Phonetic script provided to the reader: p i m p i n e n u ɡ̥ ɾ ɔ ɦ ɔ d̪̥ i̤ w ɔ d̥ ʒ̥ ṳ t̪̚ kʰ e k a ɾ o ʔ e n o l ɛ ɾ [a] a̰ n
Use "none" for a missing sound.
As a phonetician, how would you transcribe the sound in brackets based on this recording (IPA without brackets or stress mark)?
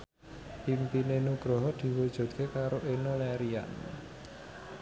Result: i